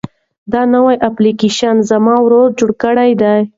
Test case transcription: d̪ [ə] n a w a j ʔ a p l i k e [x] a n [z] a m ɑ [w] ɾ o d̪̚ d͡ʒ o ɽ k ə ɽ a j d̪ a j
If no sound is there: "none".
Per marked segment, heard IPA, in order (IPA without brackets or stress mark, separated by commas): ɑ, ʃ, z, w